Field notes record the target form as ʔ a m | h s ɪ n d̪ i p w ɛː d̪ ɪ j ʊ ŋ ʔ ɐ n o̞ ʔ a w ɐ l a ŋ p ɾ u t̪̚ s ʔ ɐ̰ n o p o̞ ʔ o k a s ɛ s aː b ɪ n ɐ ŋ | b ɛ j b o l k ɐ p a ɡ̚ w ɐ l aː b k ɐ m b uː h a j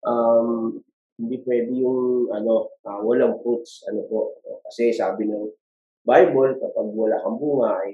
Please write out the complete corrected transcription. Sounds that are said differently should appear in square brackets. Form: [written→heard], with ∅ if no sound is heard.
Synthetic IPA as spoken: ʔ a m | h [s→h] ɪ n d̪ i p w ɛː d̪ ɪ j ʊ ŋ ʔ ɐ n o̞ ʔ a w ɐ l a ŋ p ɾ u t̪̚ s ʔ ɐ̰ n o p o̞ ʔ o k [a→ɐ] s ɛ s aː b ɪ n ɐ ŋ | b [ɛ→a] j b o l k ɐ p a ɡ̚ w ɐ l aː [b→∅] k ɐ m b uː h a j